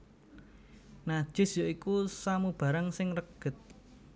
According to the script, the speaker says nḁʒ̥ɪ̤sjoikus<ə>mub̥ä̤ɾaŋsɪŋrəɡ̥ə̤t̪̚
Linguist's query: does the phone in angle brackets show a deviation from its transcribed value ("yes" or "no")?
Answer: yes